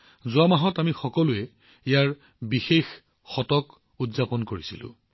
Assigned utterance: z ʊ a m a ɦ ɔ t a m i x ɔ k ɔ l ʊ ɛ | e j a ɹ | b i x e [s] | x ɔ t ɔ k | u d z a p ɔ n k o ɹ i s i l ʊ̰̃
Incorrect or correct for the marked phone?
incorrect: x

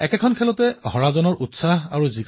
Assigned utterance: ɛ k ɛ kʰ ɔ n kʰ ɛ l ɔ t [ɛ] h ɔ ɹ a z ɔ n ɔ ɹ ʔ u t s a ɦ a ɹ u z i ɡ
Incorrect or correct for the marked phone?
correct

